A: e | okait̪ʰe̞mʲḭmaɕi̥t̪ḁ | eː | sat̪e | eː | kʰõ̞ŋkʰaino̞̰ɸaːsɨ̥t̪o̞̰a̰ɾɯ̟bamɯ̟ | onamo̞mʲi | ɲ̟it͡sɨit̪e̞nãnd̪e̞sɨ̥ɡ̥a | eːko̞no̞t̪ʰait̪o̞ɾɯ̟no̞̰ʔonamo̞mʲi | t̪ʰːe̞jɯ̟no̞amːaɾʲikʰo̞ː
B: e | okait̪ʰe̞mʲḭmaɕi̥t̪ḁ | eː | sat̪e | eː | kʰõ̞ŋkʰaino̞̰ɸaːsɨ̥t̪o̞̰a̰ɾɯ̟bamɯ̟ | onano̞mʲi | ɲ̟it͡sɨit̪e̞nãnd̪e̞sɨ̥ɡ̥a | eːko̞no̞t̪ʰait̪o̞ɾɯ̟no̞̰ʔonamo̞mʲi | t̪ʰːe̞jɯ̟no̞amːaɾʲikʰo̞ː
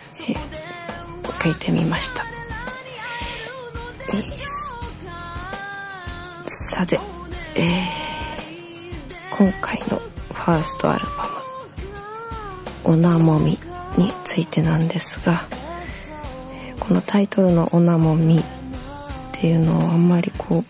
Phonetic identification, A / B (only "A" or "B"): A